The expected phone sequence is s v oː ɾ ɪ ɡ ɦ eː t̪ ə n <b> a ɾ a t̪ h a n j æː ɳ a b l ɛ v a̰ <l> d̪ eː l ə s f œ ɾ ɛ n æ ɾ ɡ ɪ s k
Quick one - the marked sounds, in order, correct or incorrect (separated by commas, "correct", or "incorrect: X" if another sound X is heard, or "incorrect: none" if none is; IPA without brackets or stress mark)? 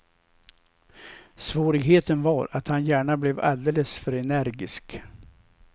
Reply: incorrect: v, correct